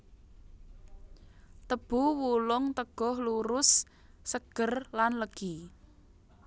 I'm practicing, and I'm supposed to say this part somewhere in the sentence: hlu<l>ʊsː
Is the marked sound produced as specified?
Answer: no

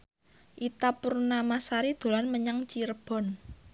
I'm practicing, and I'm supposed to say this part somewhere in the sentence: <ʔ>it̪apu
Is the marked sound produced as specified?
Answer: yes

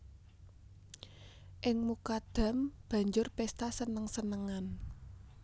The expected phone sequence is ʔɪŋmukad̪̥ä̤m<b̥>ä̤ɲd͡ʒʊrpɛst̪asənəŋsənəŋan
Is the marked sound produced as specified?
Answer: yes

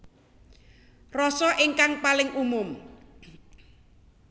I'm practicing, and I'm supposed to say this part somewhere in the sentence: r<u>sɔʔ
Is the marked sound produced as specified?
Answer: no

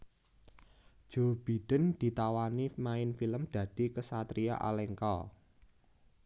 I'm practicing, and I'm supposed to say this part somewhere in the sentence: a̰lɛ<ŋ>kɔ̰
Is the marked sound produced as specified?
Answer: yes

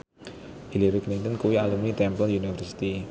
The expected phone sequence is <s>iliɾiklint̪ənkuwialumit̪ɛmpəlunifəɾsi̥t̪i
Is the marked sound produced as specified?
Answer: no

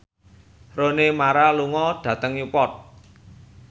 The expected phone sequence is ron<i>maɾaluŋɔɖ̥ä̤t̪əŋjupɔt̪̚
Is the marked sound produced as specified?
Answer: no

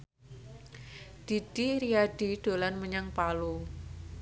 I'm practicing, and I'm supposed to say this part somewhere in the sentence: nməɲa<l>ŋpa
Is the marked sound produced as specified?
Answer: no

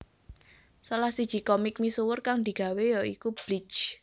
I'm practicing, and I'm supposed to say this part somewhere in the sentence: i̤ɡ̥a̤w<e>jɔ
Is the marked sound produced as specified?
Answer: yes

